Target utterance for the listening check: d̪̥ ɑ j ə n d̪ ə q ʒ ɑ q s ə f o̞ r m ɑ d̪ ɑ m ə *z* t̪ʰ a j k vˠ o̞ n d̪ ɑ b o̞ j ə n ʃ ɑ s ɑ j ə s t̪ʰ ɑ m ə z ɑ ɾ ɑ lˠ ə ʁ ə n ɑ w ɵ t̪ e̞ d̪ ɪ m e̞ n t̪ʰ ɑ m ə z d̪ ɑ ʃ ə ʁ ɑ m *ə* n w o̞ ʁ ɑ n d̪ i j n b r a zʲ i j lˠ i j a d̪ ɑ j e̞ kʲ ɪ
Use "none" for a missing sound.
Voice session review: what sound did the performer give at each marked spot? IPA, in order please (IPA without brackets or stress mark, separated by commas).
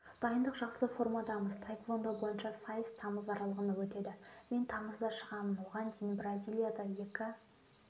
z, ə